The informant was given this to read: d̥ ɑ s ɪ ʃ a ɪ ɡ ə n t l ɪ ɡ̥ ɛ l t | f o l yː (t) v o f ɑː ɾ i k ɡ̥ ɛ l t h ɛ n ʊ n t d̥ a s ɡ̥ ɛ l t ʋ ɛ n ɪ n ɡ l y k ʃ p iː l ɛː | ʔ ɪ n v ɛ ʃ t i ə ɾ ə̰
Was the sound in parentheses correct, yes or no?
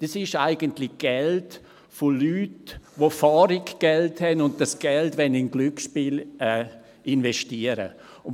yes